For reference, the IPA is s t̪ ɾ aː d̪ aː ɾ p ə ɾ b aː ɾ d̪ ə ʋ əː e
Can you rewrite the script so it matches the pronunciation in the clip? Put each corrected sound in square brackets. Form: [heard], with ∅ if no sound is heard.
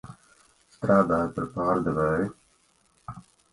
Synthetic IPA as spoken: s t̪ ɾ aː d̪ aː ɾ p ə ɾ [p] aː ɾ d̪ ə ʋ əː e